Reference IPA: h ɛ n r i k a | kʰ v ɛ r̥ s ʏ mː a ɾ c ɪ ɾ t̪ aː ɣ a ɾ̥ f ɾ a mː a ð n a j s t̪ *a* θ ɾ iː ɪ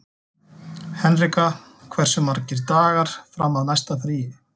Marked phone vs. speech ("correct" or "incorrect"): correct